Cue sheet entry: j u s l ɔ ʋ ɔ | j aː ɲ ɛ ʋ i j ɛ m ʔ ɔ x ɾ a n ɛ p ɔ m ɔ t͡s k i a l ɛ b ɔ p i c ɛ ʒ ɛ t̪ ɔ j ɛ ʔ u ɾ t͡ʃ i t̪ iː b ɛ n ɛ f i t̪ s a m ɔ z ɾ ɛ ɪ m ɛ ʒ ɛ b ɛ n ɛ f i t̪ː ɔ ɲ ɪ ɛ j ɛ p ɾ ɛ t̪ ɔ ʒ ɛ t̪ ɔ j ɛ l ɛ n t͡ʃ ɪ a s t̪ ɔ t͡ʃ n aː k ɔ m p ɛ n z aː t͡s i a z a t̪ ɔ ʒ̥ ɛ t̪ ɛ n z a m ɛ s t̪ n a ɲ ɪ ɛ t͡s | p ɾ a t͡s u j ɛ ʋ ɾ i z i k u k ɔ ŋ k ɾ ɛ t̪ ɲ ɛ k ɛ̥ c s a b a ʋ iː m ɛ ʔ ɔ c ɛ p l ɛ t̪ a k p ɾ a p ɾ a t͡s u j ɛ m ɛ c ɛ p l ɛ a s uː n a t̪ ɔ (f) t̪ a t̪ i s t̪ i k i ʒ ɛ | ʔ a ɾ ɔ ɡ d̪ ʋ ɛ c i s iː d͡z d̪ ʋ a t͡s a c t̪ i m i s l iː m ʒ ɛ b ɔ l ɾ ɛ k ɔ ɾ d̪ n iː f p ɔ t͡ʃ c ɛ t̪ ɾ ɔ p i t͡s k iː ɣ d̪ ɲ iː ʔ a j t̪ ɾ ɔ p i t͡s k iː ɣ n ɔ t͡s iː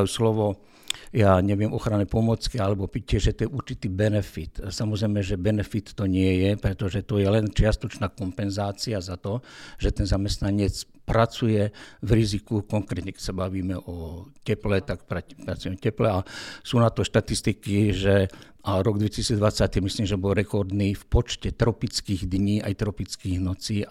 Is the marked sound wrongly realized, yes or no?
yes